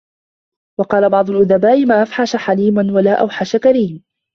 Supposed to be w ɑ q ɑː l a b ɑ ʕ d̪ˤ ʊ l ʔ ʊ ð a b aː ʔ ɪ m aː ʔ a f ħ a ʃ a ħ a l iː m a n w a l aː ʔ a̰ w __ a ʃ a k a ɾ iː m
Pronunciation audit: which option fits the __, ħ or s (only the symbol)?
ħ